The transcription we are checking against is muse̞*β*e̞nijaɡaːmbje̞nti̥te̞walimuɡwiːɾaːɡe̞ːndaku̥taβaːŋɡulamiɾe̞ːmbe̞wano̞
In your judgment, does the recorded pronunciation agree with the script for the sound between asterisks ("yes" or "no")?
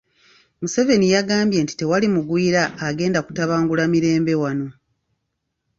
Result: no